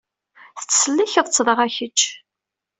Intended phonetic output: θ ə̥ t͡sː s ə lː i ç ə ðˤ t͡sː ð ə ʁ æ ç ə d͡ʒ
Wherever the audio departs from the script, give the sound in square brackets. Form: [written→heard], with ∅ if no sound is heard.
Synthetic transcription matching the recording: θ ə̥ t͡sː s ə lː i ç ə ðˤ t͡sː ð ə ʁ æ ç ə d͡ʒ